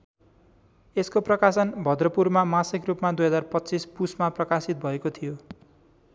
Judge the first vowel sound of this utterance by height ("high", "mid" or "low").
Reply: mid